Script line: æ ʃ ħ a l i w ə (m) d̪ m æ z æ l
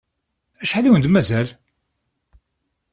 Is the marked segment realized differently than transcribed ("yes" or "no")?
yes